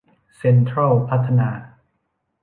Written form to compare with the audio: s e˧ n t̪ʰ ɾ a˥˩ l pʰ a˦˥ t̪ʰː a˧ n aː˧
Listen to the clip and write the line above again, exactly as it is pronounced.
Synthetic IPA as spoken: s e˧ n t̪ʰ ɾ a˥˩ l pʰ a˦˥ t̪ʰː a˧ n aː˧